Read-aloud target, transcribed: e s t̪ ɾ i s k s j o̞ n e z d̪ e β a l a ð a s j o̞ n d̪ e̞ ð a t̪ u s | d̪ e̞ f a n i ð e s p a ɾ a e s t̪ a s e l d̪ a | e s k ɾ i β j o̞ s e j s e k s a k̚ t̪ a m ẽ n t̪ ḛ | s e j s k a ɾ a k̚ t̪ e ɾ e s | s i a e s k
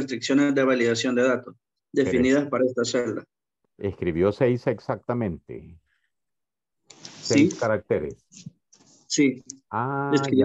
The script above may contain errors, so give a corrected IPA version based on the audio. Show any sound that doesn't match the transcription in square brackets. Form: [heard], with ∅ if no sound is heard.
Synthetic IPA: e s t̪ ɾ i [∅] k s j o̞ n e z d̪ e β a l [i] ð a s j o̞ n d̪ e̞ ð a t̪ [o] s | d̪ e̞ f [i] n i ð [a] s p a ɾ a e s t̪ a s e l d̪ a | e s k ɾ i β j o̞ s e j s e k s a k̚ t̪ a m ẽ n t̪ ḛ | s e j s k a ɾ a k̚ t̪ e ɾ e s | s i a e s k